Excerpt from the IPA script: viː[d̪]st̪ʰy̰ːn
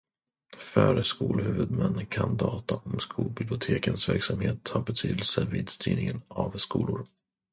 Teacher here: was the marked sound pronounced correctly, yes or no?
yes